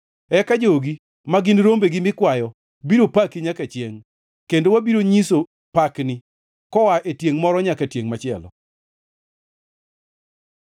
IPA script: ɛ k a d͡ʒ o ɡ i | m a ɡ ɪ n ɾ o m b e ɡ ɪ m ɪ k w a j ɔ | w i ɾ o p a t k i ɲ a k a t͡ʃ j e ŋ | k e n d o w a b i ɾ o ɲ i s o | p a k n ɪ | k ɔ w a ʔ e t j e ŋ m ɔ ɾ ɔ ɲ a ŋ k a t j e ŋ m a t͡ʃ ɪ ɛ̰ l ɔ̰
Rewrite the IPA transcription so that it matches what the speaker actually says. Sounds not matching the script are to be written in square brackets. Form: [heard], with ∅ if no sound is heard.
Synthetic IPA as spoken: ɛ k a d͡ʒ o ɡ i | m a ɡ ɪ n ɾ o m b e ɡ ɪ m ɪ k w a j ɔ | [b] i ɾ o p a [∅] k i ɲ a k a t͡ʃ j e ŋ | k e n d o w a b i ɾ o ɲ i s o | p a k n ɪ | k ɔ w a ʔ e t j e ŋ m ɔ ɾ ɔ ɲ a [∅] k a t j e ŋ m a t͡ʃ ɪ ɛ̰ l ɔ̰

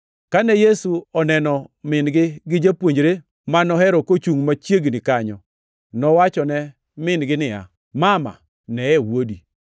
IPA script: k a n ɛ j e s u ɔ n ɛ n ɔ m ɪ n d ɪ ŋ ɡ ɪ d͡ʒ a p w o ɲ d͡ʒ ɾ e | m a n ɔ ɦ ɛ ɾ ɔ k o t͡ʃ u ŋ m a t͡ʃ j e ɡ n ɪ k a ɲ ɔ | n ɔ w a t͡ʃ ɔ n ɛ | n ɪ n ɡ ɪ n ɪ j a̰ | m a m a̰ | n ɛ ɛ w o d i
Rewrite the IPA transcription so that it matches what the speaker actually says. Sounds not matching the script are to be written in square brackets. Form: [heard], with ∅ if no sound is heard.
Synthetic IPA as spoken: k a n ɛ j e s u ɔ n ɛ n ɔ m ɪ n [ɡ] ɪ [∅] ɡ ɪ d͡ʒ a p w o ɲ d͡ʒ ɾ e | m a n ɔ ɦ ɛ ɾ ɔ k o t͡ʃ u ŋ m a t͡ʃ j e ɡ n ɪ k a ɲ ɔ | n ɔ w a t͡ʃ ɔ n ɛ | [m] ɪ n ɡ ɪ n ɪ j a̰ | m a m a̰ | n ɛ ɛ w o d i

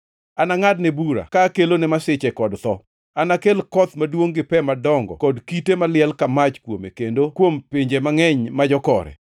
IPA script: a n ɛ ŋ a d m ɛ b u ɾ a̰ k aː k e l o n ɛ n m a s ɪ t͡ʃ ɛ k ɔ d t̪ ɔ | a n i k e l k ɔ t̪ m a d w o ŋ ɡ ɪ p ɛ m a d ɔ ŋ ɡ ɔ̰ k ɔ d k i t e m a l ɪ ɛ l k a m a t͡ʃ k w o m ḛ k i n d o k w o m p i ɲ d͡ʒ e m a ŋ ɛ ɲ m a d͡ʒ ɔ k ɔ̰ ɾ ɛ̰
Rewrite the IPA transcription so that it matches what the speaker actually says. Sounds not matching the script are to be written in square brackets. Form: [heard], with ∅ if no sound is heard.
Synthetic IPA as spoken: a n [a] ŋ a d [n] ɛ b u ɾ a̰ k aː k e l o n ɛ [∅] m a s ɪ t͡ʃ ɛ k ɔ d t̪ ɔ | a n [a] k e l k ɔ t̪ m a d w o ŋ ɡ ɪ p ɛ m a d ɔ ŋ ɡ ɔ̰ k ɔ d k i t e m a l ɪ ɛ l k a m a t͡ʃ k w o m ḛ k [e] n d o k w o m p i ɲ d͡ʒ e m a ŋ ɛ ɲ m a d͡ʒ ɔ k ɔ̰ ɾ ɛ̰

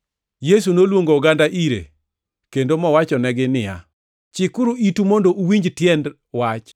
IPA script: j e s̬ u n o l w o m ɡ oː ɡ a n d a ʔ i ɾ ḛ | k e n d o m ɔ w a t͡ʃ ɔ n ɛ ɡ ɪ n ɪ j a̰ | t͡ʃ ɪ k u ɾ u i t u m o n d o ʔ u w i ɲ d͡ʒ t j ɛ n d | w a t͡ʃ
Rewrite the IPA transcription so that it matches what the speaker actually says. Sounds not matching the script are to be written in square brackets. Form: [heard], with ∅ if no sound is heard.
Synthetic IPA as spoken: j e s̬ u n o l w o [ŋ] ɡ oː ɡ a n d a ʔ i ɾ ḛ | k e n d o m ɔ w a t͡ʃ ɔ n ɛ ɡ ɪ n ɪ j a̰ | t͡ʃ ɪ k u ɾ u i t u m o n d o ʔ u w i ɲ d͡ʒ t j ɛ n d | w a t͡ʃ

